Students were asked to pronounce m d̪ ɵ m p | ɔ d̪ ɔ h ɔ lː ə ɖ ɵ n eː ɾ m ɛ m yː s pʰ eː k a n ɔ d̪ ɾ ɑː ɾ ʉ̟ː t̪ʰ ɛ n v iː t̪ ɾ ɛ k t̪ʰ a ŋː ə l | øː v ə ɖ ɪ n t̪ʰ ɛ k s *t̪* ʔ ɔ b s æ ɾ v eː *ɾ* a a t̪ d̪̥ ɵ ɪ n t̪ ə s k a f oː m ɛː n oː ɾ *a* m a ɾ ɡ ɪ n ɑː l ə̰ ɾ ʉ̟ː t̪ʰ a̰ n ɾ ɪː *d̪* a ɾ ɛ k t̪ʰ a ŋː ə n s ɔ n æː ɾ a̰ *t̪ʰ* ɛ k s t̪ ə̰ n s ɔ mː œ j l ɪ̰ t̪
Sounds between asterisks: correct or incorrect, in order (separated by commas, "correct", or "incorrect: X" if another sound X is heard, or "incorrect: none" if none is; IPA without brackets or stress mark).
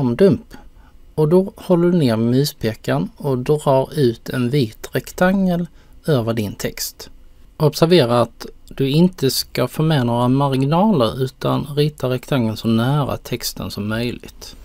correct, correct, correct, incorrect: t̪, correct